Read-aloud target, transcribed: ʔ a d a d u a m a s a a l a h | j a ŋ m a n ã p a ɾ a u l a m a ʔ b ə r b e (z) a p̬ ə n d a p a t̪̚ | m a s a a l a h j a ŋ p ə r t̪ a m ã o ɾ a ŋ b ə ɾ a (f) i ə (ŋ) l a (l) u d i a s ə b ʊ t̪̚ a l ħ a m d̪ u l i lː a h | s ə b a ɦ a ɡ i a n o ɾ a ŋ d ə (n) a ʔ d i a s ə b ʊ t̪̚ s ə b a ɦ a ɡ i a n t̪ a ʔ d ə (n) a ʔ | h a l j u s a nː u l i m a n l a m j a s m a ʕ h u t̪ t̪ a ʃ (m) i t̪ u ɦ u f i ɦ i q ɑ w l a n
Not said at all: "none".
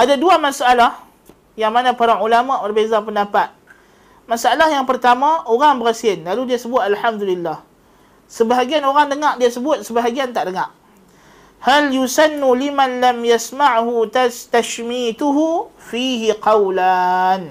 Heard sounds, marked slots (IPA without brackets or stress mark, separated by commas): z, s, n, l, ŋ, ŋ, m